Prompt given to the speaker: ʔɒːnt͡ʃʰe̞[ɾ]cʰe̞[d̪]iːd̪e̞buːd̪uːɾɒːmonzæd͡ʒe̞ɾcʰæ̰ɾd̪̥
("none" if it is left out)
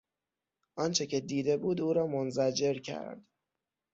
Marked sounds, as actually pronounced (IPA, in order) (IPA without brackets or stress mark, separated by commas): none, d̪